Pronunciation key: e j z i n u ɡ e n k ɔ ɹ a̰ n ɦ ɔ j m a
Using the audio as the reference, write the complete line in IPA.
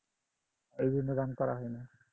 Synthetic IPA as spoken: e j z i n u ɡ a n k ɔ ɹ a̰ ɦ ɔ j n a